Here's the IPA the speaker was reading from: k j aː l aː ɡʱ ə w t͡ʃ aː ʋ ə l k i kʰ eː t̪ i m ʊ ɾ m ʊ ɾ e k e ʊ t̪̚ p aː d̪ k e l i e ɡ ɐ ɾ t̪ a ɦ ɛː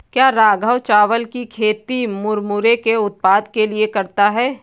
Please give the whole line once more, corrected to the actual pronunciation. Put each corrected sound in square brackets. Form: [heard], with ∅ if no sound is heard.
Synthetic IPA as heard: k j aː [ɾ] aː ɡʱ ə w t͡ʃ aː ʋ ə l k i kʰ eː t̪ i m ʊ ɾ m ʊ ɾ e k e ʊ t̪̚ p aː d̪ k e l i e [k] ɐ ɾ t̪ a ɦ ɛː